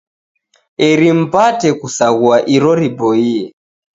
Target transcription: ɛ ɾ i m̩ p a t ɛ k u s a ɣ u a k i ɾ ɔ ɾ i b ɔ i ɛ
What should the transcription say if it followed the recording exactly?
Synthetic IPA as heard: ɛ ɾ i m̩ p a t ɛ k u s a ɣ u a ʔ i ɾ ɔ ɾ i b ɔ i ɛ